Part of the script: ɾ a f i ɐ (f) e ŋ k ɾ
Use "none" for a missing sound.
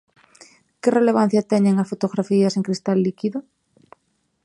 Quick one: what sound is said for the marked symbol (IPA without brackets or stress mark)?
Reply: s